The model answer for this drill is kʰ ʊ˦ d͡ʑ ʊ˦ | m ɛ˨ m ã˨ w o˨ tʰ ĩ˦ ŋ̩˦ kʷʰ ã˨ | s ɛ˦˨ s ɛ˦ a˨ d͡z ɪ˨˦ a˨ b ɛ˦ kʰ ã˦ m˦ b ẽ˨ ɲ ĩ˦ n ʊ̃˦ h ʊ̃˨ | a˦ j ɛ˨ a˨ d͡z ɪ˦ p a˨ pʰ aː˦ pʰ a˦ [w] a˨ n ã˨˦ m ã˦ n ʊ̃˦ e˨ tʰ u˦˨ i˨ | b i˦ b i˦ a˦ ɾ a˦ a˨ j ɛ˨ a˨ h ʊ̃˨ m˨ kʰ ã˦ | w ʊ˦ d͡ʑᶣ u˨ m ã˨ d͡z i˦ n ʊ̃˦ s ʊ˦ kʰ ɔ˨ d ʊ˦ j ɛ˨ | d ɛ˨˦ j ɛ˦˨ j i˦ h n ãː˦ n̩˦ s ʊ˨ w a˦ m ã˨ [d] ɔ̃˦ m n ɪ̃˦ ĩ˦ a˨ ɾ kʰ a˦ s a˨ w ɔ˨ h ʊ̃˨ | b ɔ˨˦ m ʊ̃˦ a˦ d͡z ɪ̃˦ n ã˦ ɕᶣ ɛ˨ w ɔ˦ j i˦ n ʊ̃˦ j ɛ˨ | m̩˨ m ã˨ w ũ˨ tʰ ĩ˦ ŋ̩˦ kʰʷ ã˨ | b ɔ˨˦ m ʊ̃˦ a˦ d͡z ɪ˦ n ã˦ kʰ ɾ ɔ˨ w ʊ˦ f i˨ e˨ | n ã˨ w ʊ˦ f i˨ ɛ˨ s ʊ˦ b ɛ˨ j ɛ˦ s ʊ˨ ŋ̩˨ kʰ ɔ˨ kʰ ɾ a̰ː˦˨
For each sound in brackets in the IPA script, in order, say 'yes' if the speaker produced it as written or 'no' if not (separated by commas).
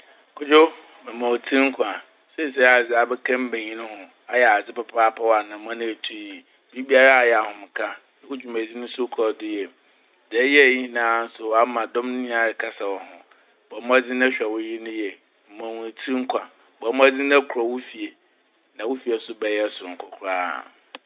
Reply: yes, yes